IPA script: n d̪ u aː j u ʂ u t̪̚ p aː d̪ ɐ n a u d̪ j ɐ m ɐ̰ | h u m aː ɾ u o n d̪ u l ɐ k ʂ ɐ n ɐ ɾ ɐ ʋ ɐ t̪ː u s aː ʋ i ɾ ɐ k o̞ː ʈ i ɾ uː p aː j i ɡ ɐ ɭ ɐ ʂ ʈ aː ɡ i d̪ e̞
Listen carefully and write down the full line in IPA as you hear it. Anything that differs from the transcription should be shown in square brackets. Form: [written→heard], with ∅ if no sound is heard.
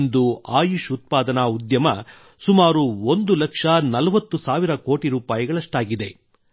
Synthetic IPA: n d̪ u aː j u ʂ u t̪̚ p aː d̪ ɐ n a u d̪ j ɐ m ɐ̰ | [h→s] u m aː ɾ u o n d̪ u l ɐ k ʂ ɐ n ɐ [ɾ→l] ɐ ʋ ɐ t̪ː u s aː ʋ i ɾ ɐ k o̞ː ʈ i ɾ uː p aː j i ɡ ɐ ɭ ɐ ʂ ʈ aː ɡ i d̪ e̞

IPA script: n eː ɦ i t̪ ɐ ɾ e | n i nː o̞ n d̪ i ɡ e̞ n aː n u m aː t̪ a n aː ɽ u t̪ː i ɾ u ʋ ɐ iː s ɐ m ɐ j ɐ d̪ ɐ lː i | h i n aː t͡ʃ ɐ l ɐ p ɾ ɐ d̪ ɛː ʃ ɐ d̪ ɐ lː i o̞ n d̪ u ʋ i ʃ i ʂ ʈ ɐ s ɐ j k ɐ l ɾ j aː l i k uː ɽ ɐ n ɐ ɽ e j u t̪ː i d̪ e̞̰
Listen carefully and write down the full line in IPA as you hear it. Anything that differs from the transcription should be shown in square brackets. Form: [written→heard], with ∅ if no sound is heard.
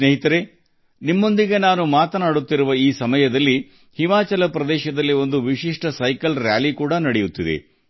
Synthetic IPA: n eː ɦ i t̪ ɐ ɾ e | n i [nː→mː] o̞ n d̪ i ɡ e̞ n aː n u m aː t̪ [a→ɐ] n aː ɽ u t̪ː i ɾ u ʋ ɐ iː s ɐ m ɐ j ɐ d̪ ɐ lː i | h i [n→m] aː t͡ʃ ɐ l ɐ p ɾ ɐ d̪ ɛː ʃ ɐ d̪ ɐ lː i o̞ n d̪ u ʋ i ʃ i ʂ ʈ ɐ s ɐ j k ɐ l ɾ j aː l i k uː ɽ ɐ n ɐ ɽ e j u t̪ː i d̪ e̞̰

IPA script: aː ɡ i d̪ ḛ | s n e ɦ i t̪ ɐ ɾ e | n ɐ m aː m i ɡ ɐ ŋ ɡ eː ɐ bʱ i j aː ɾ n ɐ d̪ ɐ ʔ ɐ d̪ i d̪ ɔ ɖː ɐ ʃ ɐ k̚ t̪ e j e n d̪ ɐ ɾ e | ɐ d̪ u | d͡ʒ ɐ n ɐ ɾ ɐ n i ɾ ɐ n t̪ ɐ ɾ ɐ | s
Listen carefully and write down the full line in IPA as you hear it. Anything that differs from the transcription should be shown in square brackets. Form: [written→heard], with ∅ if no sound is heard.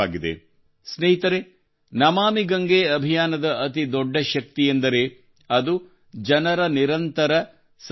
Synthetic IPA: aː ɡ i d̪ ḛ | s n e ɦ i t̪ ɐ ɾ e | n ɐ m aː m i ɡ ɐ ŋ ɡ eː ɐ bʱ i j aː [ɾ→∅] n ɐ d̪ ɐ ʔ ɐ [d̪→t̪] i d̪ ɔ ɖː ɐ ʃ ɐ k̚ t̪ [e→i] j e n d̪ ɐ ɾ e | ɐ d̪ u | d͡ʒ ɐ n ɐ ɾ ɐ n i ɾ ɐ n t̪ ɐ ɾ ɐ | s

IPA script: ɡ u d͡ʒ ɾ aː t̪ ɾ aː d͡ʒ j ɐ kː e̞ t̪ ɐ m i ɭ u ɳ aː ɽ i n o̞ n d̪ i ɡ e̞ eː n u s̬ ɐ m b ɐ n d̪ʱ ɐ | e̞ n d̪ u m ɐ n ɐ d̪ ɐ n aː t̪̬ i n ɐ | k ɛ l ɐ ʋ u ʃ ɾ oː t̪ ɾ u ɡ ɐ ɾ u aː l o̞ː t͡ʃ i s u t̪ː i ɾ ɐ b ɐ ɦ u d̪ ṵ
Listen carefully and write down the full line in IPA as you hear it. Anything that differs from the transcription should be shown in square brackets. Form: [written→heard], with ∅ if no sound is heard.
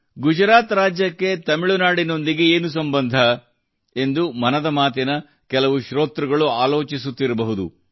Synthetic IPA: ɡ u d͡ʒ ɾ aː t̪ ɾ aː d͡ʒ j ɐ kː e̞ t̪ ɐ m i ɭ u [ɳ→n] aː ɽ i n o̞ n d̪ i ɡ e̞ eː n u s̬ ɐ m b ɐ n d̪ʱ ɐ | e̞ n d̪ u m ɐ n ɐ d̪ ɐ [n→m] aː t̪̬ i n ɐ | k ɛ l ɐ ʋ u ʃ ɾ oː t̪ ɾ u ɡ ɐ [ɾ→ɭ] u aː l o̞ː t͡ʃ i s u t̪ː i ɾ ɐ b ɐ ɦ u d̪ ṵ

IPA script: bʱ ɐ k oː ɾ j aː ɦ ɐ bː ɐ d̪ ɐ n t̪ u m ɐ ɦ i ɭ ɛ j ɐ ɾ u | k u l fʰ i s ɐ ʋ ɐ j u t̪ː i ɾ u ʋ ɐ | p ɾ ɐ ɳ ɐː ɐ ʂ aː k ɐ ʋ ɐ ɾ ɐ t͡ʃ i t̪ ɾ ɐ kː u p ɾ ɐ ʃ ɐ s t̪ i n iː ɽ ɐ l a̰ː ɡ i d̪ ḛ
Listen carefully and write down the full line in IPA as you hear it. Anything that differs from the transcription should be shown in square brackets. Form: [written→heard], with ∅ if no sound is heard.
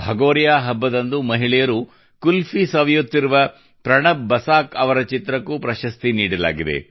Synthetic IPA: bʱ ɐ [k→ɡ] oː ɾ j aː ɦ ɐ bː ɐ d̪ ɐ n [t̪→d̪] u m ɐ ɦ i ɭ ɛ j ɐ ɾ u | k u l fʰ i s ɐ ʋ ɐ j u t̪ː i ɾ u ʋ ɐ | p ɾ ɐ ɳ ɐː ɐ [ʂ→s] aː k ɐ ʋ ɐ ɾ ɐ t͡ʃ i t̪ ɾ ɐ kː u p ɾ ɐ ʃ ɐ s t̪ i n iː ɽ ɐ l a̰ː ɡ i d̪ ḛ

